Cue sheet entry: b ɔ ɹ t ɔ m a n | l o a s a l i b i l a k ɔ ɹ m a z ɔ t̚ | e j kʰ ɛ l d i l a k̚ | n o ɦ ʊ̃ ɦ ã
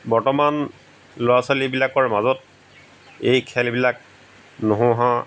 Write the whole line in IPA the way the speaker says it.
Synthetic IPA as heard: b ɔ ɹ t ɔ m a n | l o a s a l i b i l a k ɔ ɹ m a z ɔ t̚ | e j kʰ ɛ l b i l a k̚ | n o ɦ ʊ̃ ɦ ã